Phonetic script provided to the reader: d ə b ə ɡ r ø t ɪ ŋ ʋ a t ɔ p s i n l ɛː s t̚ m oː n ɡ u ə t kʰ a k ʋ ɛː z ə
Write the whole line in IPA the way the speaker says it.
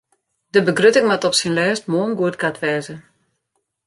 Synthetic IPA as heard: d ə b ə ɡ r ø t ɪ ŋ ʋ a t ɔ p s i n l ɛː s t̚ m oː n ɡ u ə t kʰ a t ʋ ɛː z ə